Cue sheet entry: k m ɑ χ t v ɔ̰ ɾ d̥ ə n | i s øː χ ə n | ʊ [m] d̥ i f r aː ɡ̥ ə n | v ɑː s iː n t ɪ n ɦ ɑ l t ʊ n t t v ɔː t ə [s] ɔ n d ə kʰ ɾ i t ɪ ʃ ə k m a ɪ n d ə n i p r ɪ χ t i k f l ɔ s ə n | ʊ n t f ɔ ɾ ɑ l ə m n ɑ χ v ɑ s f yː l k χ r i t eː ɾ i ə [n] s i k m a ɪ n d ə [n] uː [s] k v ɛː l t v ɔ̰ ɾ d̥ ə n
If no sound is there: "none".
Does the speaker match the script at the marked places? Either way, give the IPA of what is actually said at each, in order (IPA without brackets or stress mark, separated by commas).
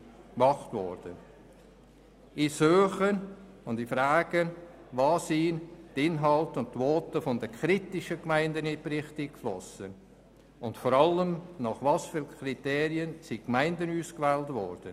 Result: n, f, n, n, s